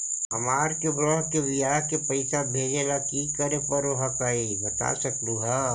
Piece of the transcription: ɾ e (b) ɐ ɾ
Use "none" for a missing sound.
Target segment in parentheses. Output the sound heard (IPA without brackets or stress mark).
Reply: p